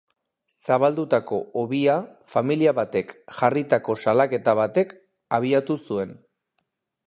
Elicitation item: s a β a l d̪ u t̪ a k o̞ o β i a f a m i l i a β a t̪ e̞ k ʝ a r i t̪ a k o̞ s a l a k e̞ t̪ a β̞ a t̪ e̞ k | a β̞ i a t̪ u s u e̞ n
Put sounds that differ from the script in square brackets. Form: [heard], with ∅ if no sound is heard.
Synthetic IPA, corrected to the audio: s a β a l d̪ u t̪ a k o̞ o β i a f a m i l i a β a t̪ e̞ k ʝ a r i t̪ a k o̞ s a l a k e̞ t̪ a β̞ a t̪ e̞ k | a β̞ i a t̪ u s u e̞ n